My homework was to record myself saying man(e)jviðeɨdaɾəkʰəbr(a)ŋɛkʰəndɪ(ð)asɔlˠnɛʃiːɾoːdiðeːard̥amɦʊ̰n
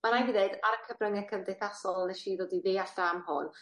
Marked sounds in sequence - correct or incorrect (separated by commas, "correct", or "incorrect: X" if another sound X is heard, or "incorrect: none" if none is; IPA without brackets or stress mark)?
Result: incorrect: a, incorrect: ə, incorrect: θ